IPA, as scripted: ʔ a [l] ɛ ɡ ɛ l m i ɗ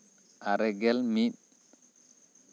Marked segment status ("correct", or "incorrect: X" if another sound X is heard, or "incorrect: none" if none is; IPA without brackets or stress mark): incorrect: ɾ